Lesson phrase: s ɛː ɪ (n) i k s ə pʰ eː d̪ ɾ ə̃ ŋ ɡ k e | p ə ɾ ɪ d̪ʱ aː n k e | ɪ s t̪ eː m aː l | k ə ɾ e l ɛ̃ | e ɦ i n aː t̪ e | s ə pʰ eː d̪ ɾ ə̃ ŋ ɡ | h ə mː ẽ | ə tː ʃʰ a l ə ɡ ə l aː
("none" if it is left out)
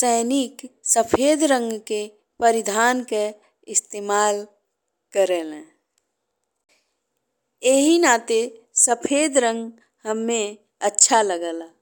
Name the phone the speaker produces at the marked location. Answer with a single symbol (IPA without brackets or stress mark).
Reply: n